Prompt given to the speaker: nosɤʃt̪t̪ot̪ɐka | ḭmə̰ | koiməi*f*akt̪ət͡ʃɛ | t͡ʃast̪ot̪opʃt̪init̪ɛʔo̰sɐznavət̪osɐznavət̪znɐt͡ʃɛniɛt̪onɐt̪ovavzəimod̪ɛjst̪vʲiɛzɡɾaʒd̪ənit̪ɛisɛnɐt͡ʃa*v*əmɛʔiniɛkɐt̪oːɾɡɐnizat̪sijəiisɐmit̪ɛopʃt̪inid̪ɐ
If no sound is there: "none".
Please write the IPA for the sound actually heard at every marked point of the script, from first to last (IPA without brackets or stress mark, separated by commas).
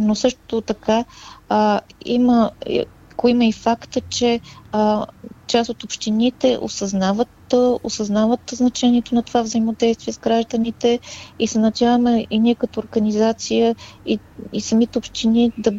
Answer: f, v